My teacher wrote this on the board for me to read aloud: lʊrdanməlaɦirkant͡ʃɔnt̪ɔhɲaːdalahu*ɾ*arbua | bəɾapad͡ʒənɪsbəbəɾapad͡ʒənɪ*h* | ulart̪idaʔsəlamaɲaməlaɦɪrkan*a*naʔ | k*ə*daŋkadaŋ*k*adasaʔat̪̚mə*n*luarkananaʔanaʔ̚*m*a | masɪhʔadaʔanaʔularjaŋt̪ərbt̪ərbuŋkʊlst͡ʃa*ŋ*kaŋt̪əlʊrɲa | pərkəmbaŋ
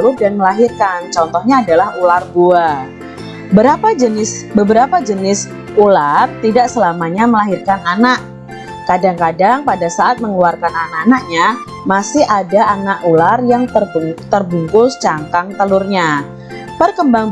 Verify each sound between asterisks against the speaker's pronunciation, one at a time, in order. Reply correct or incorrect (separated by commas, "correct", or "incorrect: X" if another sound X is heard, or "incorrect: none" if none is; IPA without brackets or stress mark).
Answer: incorrect: l, incorrect: s, correct, incorrect: a, incorrect: p, incorrect: ŋ, incorrect: ɲ, correct